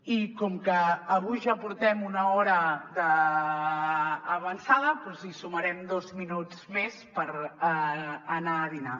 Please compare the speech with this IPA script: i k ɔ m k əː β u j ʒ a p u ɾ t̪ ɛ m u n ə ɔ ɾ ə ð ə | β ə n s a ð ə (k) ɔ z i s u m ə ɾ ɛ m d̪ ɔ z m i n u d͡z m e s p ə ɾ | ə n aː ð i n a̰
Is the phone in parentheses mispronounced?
yes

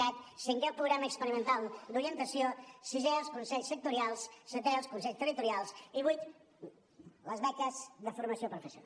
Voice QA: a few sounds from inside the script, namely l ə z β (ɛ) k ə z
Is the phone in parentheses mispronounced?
no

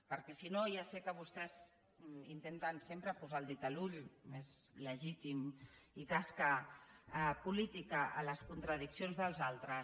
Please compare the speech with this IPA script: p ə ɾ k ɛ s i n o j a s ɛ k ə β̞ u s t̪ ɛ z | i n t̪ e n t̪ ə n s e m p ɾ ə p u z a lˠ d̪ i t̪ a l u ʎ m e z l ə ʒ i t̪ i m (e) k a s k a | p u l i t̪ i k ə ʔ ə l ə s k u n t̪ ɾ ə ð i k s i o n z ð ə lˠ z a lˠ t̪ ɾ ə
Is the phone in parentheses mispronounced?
yes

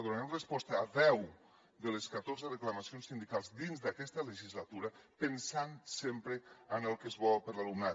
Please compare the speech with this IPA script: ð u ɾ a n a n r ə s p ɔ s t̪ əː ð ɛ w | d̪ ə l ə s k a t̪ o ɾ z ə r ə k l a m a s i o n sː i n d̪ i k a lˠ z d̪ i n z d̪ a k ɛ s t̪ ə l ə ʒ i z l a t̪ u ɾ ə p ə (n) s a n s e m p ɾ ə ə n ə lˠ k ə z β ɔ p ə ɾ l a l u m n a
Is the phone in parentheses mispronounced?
no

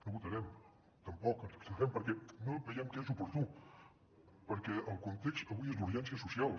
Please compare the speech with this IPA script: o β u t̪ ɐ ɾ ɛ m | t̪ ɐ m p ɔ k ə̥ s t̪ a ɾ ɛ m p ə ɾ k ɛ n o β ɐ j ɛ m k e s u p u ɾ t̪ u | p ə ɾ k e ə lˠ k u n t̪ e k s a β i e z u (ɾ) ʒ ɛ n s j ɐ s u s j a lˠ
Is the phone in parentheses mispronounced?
no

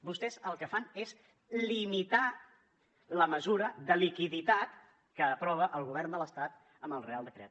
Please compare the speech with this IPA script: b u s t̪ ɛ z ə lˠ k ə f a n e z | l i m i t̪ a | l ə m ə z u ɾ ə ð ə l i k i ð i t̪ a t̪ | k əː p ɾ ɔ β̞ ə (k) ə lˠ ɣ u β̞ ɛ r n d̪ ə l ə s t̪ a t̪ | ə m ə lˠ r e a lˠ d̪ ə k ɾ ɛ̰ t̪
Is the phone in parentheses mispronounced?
yes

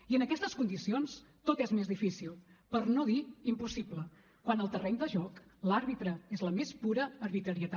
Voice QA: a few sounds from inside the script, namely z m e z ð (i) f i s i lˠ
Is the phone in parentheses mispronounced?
no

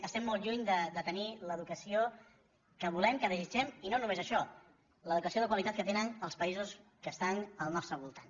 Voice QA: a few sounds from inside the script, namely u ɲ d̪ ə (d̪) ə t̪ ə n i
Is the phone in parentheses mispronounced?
no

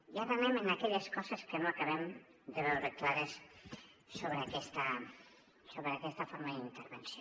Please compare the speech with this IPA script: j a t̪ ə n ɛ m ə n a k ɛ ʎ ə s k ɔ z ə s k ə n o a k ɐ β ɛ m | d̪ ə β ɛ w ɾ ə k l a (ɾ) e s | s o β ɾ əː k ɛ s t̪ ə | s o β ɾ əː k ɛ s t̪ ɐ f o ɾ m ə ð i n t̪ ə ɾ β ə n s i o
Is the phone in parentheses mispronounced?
no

